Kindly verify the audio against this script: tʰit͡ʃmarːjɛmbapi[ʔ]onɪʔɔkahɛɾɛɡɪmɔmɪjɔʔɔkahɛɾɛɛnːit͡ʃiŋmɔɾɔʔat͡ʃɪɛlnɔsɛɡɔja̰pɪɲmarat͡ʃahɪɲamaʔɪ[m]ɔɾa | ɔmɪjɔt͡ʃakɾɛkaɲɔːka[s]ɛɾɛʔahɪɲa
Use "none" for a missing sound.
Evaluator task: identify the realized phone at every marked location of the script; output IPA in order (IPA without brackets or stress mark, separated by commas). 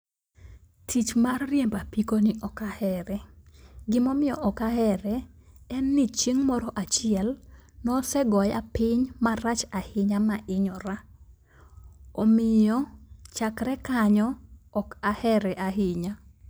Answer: k, ɲ, h